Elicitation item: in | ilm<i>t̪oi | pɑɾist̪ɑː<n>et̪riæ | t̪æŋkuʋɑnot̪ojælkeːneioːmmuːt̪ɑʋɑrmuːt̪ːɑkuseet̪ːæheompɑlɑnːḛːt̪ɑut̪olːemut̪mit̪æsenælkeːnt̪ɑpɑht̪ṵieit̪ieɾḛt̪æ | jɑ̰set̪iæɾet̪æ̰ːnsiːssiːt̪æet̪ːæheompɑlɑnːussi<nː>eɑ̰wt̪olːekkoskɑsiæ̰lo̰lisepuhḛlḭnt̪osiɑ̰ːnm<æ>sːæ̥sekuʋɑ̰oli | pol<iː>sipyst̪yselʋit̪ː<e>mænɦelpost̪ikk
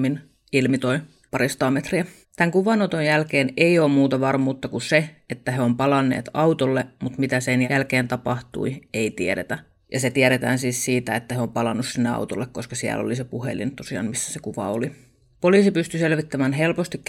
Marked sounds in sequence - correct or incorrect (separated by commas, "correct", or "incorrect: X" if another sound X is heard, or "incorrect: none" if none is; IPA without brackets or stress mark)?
correct, incorrect: m, correct, incorrect: i, correct, incorrect: æ